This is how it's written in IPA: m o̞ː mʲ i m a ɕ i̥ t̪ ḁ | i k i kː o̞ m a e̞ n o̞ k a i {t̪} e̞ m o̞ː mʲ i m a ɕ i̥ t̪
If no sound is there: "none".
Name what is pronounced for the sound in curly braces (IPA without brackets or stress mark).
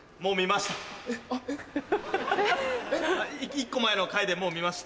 d̪